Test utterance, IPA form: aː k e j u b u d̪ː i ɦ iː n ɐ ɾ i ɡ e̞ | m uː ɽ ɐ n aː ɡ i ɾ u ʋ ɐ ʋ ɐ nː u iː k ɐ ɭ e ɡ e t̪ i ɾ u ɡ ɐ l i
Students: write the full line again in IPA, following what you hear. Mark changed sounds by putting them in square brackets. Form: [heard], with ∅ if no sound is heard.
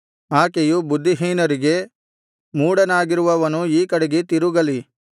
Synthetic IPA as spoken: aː k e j u b u d̪ː i ɦ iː n ɐ ɾ i ɡ e̞ | m uː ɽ ɐ n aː ɡ i ɾ u ʋ ɐ ʋ ɐ [n] u iː k ɐ [ɽ] e ɡ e t̪ i ɾ u ɡ ɐ l i